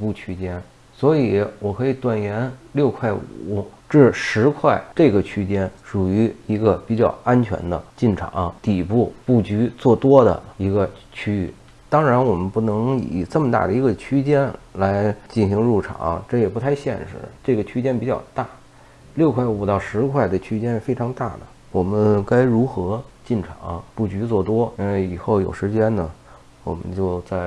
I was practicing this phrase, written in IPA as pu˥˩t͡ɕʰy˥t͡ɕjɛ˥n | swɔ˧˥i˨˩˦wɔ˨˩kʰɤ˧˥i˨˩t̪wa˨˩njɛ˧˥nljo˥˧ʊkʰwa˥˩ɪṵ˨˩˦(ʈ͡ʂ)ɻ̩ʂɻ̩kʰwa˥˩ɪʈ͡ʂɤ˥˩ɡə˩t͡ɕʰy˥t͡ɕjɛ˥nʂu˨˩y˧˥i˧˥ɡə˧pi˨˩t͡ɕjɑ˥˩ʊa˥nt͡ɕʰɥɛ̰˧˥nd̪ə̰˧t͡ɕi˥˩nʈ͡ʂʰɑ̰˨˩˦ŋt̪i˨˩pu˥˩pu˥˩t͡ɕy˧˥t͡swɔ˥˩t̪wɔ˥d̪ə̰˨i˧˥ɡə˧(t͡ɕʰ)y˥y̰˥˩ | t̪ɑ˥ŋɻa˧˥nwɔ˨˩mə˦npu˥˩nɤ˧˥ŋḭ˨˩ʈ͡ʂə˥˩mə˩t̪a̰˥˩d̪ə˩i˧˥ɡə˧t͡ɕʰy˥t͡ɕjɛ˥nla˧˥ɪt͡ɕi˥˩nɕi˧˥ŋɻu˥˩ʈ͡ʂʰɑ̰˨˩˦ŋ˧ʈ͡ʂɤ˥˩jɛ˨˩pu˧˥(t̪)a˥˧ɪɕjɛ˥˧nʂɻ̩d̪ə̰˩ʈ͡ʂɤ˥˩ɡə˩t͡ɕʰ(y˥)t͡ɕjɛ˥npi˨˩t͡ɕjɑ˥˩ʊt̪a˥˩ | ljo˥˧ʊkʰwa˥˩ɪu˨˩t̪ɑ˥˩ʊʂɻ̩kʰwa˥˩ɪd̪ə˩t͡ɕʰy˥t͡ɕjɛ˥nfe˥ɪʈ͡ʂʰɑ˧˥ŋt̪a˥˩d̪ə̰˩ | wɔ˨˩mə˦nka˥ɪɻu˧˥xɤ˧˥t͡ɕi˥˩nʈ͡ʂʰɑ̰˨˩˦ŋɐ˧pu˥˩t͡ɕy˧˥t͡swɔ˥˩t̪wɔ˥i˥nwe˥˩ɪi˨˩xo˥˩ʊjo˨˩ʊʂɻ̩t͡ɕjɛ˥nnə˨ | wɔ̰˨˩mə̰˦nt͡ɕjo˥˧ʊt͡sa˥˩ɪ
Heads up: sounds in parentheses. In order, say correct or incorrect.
correct, correct, incorrect: t̪ʰ, correct

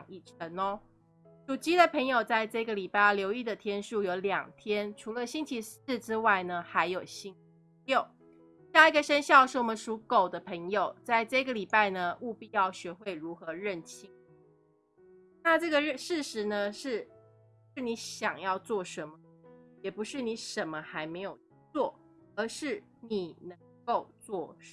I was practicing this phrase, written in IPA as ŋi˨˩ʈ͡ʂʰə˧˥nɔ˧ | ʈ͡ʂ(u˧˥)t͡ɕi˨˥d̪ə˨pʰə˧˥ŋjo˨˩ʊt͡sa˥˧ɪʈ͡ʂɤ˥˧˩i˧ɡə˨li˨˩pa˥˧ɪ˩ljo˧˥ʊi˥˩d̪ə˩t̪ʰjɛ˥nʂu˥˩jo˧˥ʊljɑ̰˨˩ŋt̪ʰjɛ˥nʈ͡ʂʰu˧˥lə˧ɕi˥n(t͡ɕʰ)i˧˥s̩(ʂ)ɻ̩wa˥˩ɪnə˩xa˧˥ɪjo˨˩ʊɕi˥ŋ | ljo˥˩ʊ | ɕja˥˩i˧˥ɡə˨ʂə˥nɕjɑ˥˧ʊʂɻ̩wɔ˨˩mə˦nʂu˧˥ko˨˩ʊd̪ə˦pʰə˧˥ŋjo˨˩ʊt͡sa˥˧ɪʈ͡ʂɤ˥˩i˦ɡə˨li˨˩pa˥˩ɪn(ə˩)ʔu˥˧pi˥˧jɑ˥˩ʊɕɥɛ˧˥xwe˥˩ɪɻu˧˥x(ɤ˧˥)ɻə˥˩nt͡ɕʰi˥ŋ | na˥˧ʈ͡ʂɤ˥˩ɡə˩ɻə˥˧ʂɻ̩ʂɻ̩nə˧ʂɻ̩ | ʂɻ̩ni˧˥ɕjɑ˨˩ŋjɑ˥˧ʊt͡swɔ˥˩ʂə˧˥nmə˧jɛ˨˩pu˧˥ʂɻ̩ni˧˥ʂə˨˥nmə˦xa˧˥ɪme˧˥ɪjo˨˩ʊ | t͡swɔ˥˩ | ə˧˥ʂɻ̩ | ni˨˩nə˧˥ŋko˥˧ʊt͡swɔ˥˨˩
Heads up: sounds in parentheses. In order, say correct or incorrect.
incorrect: u˨˩, correct, incorrect: ʈ͡ʂ, correct, correct

